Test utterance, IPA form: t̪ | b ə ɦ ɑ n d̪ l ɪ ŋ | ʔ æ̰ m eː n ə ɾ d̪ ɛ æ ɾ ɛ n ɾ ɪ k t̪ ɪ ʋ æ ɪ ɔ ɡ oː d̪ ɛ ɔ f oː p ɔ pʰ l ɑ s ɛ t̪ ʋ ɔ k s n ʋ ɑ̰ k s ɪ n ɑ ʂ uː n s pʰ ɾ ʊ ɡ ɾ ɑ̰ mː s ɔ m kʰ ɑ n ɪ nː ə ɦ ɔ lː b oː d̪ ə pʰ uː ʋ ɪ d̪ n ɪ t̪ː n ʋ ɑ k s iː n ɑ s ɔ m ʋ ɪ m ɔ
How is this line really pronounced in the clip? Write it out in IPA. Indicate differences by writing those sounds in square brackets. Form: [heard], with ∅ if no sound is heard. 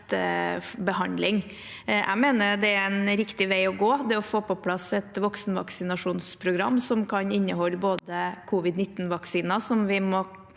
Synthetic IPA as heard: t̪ | b ə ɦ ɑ n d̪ l ɪ ŋ | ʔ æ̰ m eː n ə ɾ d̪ ɛ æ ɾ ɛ n ɾ ɪ k t̪ ɪ ʋ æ ɪ ɔ ɡ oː d̪ ɛ ɔ f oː p ɔ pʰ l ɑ s ɛ t̪ ʋ ɔ k s n ʋ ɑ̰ k s ɪ n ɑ ʂ uː n s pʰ ɾ ʊ ɡ ɾ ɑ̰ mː s ɔ m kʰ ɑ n ɪ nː ə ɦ ɔ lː b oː d̪ ə [kʰ] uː ʋ ɪ d̪ n ɪ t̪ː n ʋ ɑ k s iː n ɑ s ɔ m ʋ ɪ m ɔ

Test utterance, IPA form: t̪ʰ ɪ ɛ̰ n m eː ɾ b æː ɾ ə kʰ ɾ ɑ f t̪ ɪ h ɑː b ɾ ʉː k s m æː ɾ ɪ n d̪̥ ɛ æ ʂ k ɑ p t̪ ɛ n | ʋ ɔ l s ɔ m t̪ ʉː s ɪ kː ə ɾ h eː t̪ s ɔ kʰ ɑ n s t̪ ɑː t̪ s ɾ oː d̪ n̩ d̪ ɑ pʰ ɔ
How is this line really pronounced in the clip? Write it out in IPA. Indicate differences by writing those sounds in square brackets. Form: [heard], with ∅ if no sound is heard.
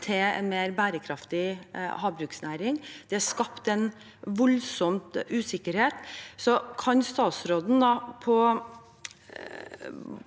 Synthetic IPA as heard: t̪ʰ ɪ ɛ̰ n m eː ɾ b æː ɾ ə kʰ ɾ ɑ f t̪ ɪ h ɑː b ɾ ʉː k s [n] æː ɾ ɪ [ŋ] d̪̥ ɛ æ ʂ k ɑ p t̪ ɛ n | ʋ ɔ l s ɔ m t̪ ʉː s ɪ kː ə ɾ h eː t̪ s ɔ kʰ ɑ n s t̪ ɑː t̪ s ɾ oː d̪ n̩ d̪ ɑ pʰ ɔ

